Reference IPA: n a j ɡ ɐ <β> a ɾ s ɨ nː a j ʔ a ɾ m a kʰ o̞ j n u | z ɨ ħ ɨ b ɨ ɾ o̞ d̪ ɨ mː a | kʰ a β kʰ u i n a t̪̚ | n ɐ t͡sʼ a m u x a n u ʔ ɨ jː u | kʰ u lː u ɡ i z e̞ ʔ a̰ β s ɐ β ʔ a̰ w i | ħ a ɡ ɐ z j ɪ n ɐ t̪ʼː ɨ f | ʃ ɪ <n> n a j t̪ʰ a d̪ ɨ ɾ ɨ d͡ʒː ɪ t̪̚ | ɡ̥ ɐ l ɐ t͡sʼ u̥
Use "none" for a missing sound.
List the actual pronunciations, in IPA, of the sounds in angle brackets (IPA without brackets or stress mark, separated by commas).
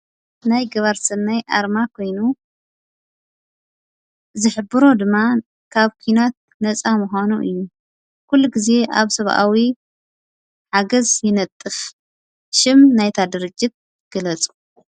β, m